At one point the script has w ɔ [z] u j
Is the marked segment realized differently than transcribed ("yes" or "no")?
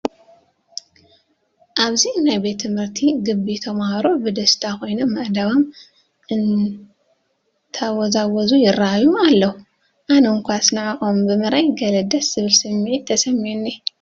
no